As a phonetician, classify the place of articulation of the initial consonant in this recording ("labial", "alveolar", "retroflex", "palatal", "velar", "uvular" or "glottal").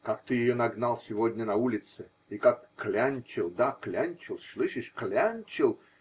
velar